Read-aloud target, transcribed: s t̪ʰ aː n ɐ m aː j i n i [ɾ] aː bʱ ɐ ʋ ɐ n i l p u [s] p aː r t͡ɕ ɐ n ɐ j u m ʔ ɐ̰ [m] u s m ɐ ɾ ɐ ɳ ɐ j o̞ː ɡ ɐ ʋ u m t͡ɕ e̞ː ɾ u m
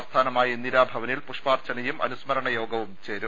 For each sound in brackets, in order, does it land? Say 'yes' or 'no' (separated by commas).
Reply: yes, no, no